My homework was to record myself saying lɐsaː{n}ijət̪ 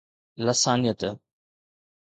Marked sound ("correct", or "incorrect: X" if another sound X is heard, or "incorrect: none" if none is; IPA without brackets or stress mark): correct